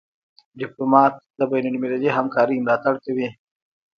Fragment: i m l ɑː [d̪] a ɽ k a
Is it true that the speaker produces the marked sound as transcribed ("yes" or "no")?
no